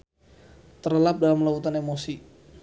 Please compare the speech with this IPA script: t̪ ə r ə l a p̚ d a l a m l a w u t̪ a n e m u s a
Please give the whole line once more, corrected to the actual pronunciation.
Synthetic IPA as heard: t̪ ə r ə l a p̚ d a l a m l a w u t̪ a n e m o s i